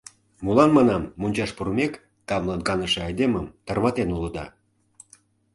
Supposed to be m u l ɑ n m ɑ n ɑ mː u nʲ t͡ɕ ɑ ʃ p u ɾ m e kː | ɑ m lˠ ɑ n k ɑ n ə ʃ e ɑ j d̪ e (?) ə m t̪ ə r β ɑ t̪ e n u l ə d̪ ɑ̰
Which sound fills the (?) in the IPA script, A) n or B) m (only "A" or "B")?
B